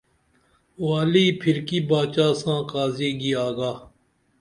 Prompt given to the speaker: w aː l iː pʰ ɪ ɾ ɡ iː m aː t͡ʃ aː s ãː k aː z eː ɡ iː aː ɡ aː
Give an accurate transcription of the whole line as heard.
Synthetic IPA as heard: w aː l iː pʰ ɪ ɾ k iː b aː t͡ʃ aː s ãː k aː z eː ɡ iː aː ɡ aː